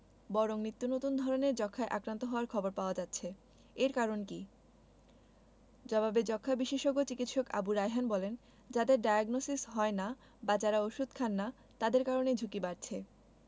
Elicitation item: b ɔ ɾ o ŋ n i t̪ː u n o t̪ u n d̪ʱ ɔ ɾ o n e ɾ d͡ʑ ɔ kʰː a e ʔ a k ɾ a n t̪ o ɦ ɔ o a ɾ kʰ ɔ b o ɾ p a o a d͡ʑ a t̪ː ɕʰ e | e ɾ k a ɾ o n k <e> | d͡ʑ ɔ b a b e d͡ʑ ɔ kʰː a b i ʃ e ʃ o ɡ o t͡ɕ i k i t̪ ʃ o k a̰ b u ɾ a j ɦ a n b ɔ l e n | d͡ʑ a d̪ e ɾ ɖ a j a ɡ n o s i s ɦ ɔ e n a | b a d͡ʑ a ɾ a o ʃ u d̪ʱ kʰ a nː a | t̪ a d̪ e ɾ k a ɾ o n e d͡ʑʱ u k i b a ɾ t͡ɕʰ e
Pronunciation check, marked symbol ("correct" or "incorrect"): incorrect